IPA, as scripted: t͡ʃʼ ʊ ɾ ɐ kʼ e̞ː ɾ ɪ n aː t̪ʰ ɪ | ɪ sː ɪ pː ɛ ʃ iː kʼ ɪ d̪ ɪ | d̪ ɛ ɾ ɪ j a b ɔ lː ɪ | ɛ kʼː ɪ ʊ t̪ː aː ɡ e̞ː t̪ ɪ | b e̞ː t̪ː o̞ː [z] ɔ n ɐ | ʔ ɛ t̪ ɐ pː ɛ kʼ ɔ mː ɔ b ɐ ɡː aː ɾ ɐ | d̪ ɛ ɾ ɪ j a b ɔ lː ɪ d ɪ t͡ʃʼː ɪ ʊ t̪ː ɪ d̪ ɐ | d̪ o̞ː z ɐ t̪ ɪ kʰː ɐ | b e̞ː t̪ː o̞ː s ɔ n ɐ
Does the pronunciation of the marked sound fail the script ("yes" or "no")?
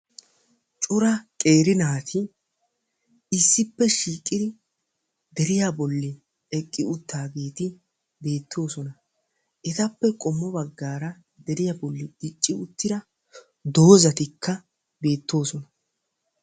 yes